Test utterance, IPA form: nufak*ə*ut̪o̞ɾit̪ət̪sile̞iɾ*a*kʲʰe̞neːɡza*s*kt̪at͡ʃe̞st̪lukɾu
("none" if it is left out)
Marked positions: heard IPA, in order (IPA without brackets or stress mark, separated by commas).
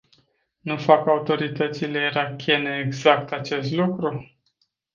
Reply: a, a, none